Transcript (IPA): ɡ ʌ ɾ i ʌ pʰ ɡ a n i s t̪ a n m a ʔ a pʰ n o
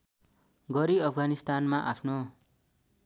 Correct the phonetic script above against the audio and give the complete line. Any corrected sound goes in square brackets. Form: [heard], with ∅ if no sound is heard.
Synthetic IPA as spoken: ɡ ʌ ɾ i ʌ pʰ ɡ a n i s t̪ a n m a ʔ a pʰ n o

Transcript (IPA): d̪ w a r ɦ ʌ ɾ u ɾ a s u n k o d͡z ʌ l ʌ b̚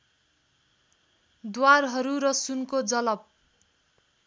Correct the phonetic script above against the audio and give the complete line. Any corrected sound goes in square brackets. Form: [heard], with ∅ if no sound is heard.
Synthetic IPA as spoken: d̪ w a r ɦ ʌ ɾ u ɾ [ʌ] s u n k o d͡z ʌ l ʌ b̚

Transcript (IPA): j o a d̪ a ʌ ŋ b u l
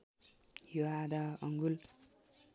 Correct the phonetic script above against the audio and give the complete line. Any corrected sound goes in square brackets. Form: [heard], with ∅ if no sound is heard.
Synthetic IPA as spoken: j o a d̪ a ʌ ŋ [ɡ] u l

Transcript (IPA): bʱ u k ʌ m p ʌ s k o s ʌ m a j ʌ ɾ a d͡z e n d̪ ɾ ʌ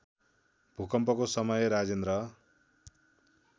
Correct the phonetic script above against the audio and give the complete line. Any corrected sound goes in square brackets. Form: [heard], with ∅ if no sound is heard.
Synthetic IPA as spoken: bʱ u k ʌ m p ʌ [∅] k o s ʌ m [ʌ] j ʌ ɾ a d͡z e n d̪ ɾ ʌ

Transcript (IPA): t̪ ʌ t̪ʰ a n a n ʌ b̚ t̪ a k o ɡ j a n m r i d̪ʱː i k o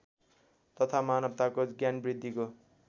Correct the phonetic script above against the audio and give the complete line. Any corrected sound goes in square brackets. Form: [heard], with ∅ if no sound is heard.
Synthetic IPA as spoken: t̪ ʌ t̪ʰ a [m] a n ʌ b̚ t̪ a k o ɡ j a n [b] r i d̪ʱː i k o

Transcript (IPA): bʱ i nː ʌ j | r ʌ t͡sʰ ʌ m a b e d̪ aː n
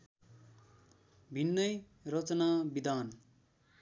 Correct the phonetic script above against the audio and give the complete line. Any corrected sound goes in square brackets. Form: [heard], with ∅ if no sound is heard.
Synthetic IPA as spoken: bʱ i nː ʌ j | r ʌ [t͡s] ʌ [n] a b [i] d̪ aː n

